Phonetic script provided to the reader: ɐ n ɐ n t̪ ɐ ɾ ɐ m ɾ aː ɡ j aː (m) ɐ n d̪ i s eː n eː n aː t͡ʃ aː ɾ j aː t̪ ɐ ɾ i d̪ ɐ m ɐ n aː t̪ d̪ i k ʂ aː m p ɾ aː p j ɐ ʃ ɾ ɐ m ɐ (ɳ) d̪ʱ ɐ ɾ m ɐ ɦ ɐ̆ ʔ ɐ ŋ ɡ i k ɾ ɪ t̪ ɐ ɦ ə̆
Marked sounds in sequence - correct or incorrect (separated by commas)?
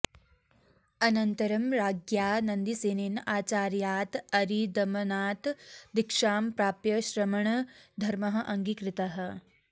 incorrect, correct